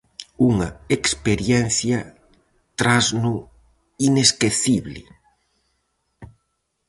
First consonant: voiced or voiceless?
voiced